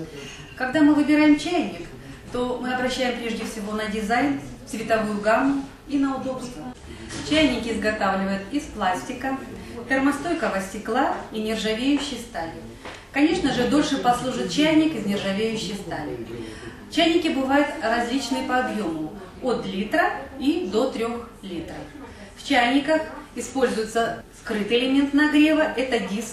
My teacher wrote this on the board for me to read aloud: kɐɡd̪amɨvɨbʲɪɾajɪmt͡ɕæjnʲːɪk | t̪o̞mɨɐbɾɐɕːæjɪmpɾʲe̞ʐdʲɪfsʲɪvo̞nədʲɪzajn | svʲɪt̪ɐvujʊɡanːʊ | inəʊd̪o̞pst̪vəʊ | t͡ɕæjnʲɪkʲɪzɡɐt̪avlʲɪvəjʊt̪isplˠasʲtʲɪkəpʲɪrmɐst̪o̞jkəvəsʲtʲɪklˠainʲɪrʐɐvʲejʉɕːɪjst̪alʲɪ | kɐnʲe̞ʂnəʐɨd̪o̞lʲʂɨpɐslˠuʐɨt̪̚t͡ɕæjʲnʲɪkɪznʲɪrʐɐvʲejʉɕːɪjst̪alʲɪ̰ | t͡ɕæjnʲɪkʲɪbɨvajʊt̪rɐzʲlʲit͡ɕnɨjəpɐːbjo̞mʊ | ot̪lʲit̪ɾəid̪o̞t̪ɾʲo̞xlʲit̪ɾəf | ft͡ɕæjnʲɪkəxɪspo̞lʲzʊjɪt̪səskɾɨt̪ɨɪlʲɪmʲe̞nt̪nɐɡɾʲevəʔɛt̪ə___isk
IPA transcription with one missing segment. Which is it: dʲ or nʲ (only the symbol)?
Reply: dʲ